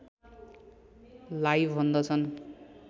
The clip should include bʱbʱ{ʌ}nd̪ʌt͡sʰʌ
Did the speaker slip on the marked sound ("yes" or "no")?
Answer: no